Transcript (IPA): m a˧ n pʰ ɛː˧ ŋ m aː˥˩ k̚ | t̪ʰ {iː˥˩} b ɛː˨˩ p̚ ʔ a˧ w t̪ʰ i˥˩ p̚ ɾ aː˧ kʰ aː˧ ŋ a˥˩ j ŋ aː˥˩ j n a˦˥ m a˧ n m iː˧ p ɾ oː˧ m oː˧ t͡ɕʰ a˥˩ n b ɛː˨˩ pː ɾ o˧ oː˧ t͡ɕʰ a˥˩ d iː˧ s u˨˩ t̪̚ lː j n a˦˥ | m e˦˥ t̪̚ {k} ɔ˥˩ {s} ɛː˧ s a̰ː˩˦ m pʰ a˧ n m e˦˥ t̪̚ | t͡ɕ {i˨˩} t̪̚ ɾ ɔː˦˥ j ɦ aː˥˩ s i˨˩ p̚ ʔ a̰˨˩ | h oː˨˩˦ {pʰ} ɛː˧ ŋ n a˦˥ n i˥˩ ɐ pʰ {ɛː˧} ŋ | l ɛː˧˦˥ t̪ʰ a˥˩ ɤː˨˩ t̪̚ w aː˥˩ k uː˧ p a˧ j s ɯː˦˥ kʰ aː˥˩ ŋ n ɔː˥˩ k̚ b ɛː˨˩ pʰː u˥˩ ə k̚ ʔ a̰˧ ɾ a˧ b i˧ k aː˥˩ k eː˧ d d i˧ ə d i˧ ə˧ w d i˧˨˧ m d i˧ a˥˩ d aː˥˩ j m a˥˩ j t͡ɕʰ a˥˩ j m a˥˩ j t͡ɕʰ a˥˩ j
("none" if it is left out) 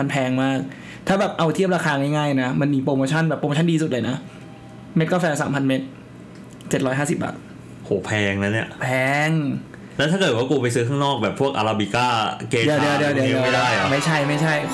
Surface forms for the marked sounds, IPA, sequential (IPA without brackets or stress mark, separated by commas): aː˥˩, k, f, e˨˩, pʰ, ɛː˧